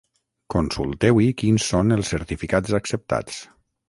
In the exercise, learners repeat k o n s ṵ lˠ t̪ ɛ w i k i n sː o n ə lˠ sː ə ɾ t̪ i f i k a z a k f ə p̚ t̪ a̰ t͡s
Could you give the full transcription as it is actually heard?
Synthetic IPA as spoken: k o n s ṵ lˠ t̪ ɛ w i k i n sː o n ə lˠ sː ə ɾ t̪ i f i k a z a k s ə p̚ t̪ a̰ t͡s

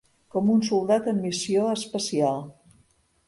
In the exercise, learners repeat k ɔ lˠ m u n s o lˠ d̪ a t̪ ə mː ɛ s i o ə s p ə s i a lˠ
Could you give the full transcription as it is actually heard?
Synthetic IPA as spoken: k ɔ m u n s u lˠ d̪ a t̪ ə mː i s i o ə s p ə s i a lˠ

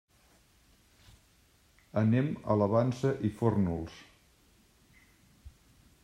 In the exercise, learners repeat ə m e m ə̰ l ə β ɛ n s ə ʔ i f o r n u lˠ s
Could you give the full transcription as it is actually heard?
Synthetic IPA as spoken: ə n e m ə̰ l ə β a n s ə ʔ i f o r n u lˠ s

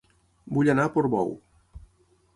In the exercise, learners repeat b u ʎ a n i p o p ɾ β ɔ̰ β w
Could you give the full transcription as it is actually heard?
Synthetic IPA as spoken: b u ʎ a n a p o ɾ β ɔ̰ w

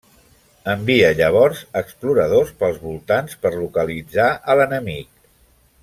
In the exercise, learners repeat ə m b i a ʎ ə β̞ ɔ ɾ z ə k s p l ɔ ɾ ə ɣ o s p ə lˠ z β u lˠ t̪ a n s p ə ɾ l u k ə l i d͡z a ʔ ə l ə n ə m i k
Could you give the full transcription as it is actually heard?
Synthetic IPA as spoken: ə m b i ə ʎ ə β̞ ɔ ɾ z ə k s p l u ɾ ə ð o s p ə lˠ z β u lˠ t̪ a n s p ə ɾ l u k ə l i d͡z a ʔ ə l ə n ə m i k

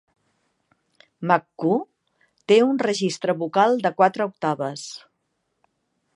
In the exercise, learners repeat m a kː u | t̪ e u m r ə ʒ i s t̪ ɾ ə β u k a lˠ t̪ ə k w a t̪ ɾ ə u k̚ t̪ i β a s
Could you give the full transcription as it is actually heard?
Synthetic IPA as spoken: m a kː u | t̪ e u n r ə ʒ i s t̪ ɾ ə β u k a lˠ d̪ ə k w a t̪ ɾ ə u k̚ t̪ a β ə s

